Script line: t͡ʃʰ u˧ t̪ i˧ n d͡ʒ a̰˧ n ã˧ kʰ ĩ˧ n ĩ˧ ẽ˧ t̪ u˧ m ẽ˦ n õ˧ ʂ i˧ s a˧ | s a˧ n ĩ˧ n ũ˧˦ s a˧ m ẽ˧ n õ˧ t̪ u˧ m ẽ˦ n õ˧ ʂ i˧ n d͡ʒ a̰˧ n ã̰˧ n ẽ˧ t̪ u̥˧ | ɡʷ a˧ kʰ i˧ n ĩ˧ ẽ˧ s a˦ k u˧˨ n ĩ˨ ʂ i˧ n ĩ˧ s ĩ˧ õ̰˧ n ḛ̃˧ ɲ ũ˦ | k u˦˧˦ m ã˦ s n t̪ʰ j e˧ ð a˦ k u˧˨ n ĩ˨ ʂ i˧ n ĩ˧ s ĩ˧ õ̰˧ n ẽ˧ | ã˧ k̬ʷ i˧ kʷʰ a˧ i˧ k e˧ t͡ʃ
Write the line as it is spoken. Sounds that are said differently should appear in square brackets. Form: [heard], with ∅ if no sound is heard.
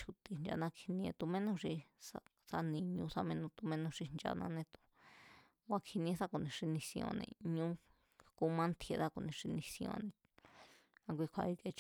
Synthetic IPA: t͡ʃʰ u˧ t̪ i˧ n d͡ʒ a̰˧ n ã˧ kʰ [i˧] n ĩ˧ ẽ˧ t̪ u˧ m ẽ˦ n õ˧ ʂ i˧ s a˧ | s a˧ n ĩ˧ [ɲ] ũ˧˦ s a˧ m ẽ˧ n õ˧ t̪ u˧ m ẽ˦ n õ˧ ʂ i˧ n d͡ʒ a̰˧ n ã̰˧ n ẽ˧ t̪ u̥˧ | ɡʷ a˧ kʰ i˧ n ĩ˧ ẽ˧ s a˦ k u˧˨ n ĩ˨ ʂ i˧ n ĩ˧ s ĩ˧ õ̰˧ n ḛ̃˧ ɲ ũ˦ | k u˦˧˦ m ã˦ [∅] n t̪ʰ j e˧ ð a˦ k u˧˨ n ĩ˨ ʂ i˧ n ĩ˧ s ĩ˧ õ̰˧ n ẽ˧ | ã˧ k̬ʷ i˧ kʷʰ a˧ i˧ k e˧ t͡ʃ